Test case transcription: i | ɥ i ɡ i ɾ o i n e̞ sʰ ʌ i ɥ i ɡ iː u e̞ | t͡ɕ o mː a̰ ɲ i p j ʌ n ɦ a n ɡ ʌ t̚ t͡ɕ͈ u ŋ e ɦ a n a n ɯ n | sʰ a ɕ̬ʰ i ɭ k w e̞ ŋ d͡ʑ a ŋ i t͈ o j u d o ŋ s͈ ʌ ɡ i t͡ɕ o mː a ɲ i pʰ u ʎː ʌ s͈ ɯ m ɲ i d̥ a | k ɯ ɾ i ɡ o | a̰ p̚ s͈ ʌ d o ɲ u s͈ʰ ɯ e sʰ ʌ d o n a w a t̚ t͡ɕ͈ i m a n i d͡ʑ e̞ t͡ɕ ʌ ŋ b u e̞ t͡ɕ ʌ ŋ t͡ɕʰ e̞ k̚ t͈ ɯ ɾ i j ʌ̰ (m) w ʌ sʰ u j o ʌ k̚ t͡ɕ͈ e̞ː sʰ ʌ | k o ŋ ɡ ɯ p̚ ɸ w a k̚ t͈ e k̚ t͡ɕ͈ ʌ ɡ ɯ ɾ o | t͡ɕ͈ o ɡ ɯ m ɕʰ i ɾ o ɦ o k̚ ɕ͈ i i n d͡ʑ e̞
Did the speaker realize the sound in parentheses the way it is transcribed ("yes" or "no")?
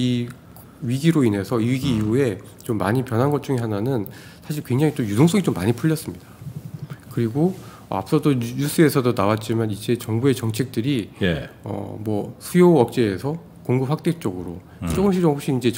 yes